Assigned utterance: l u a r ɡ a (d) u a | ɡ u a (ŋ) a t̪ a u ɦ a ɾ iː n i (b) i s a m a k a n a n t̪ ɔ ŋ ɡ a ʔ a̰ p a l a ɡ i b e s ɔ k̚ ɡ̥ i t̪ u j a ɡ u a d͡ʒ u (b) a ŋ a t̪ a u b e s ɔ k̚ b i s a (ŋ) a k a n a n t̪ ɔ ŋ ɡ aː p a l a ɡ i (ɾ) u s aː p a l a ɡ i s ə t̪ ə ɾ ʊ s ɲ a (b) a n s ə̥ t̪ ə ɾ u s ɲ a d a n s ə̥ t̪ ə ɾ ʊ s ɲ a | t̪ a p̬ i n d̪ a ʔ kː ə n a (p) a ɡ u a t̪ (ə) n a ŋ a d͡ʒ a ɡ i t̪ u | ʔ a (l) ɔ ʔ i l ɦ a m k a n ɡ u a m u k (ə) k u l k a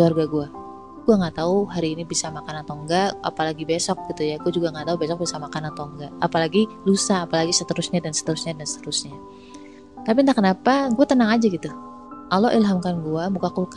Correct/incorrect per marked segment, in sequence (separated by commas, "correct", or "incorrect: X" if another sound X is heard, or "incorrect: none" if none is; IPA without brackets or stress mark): incorrect: ɡ, correct, correct, incorrect: ɡ, incorrect: m, incorrect: l, incorrect: d, correct, correct, correct, incorrect: a